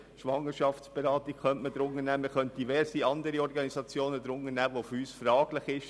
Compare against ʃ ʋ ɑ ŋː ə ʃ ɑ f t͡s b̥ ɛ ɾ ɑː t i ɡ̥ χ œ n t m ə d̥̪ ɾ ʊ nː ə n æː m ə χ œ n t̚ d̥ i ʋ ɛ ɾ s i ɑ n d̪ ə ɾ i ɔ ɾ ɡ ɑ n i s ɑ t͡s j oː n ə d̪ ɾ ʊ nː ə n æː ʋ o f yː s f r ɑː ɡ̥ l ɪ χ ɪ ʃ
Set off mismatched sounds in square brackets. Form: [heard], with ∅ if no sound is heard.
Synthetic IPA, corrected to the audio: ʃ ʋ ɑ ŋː ə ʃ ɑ f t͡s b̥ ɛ ɾ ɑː t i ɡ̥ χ œ n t m ə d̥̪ ɾ ʊ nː ə n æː m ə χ œ n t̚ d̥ i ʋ ɛ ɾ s i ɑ n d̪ ə ɾ i ɔ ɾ ɡ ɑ n i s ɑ t͡s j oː n ə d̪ ɾ ʊ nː ə n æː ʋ o f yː s f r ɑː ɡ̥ l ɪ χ ɪ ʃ